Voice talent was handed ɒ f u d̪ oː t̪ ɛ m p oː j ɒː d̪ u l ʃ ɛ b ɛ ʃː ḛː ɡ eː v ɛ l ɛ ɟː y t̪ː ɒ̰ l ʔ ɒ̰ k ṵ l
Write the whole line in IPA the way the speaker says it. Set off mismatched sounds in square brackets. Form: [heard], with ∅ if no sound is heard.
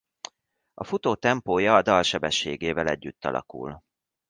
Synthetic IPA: ɒ f u [t̪] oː t̪ ɛ m p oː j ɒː d̪ [ɒ] l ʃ ɛ b ɛ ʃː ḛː ɡ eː v ɛ l ɛ ɟː y t̪ː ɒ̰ l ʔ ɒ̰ k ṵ l